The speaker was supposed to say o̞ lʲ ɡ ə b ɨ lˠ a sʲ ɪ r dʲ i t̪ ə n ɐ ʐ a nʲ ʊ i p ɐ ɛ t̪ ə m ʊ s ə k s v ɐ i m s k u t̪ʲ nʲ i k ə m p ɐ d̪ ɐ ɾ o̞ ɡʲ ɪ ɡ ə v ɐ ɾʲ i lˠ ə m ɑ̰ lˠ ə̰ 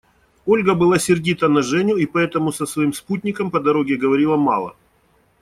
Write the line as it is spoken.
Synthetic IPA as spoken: o̞ lʲ ɡ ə b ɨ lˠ a sʲ ɪ r dʲ i t̪ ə n ɐ ʐ ɛ nʲ ʊ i p ɐ ɛ t̪ ə m ʊ s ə s v ɐ i m s p u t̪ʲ nʲ ɪ k ə m p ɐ d̪ ɐ ɾ o̞ ɡʲ ɪ ɡ ə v ɐ ɾʲ i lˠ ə m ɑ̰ lˠ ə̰